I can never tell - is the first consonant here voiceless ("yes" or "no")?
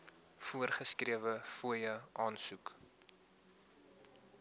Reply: yes